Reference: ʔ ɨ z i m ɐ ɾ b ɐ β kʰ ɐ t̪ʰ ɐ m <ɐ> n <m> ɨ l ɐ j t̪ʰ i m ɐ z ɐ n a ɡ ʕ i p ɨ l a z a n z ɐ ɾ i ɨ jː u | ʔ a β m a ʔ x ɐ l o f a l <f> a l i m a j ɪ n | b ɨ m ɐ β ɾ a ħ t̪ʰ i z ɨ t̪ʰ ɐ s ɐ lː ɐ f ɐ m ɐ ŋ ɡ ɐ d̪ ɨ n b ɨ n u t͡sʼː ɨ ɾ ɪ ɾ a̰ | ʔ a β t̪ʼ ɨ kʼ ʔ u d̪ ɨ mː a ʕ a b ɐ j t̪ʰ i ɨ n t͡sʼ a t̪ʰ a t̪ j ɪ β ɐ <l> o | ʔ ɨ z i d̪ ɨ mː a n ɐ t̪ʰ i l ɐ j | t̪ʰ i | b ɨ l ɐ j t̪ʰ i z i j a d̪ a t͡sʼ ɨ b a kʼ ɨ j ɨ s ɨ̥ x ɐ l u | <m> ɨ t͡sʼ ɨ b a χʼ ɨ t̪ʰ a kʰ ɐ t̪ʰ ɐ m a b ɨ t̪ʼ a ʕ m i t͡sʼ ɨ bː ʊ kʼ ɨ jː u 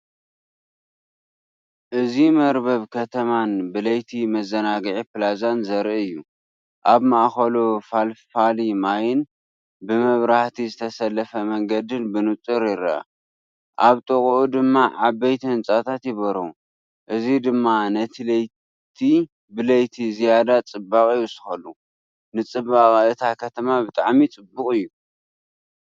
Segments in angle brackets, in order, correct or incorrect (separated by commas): incorrect, incorrect, correct, incorrect, incorrect